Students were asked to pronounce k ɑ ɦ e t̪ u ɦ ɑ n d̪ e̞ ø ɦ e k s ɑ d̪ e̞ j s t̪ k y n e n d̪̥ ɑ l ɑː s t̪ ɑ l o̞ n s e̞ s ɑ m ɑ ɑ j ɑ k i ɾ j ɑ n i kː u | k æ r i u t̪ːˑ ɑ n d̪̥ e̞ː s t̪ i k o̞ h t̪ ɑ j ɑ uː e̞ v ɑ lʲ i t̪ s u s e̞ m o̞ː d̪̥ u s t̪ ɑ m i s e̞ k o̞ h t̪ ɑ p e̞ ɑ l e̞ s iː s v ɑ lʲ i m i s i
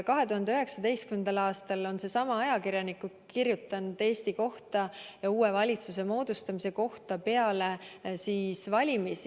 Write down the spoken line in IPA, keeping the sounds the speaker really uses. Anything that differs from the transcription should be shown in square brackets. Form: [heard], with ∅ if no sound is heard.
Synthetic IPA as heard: k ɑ ɦ e t̪ u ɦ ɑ n d̪ e̞ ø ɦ e k s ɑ d̪ e̞ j s t̪ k y [m] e n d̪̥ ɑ l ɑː s t̪ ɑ l o̞ n s e̞ s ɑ m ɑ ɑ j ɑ k i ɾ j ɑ n i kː u | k [i] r [j] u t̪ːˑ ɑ n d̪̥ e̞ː s t̪ i k o̞ h t̪ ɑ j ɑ uː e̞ v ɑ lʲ i t̪ s u s e̞ m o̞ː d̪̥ u s t̪ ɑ m i s e̞ k o̞ h t̪ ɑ p e̞ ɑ l e̞ s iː s v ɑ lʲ i m i s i